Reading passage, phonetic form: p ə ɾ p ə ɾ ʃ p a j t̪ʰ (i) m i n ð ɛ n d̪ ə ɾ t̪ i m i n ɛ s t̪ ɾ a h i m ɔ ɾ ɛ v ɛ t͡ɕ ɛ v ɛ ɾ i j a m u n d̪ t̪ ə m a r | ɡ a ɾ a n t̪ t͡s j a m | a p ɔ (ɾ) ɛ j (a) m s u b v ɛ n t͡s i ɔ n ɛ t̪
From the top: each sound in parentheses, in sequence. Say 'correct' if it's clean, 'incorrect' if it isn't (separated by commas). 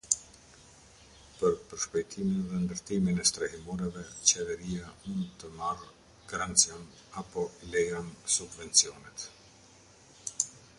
correct, incorrect, correct